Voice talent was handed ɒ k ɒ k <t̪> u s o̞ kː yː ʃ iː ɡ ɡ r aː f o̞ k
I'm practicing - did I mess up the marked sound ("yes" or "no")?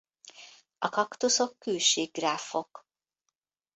no